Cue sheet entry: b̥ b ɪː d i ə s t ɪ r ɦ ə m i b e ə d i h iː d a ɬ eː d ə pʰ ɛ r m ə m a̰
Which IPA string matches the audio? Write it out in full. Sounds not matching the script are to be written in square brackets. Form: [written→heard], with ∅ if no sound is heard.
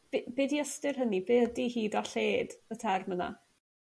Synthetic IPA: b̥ b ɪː d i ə s t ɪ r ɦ ə [m→n] i b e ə d i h iː d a ɬ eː d ə [pʰ→tʰ] ɛ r m ə [m→n] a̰